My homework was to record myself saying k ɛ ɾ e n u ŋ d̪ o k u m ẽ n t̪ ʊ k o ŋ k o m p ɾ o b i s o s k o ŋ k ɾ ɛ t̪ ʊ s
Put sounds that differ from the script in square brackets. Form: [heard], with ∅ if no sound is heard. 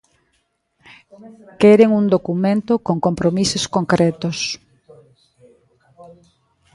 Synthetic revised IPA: k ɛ ɾ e [ŋ] u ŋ d̪ o k u m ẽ n t̪ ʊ k o ŋ k o m p ɾ o [m] i s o s k o ŋ k ɾ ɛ t̪ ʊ s